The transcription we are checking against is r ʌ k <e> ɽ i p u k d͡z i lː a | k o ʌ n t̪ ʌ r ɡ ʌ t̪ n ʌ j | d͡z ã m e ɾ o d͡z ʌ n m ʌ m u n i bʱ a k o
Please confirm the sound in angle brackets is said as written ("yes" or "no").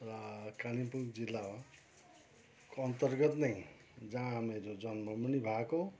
no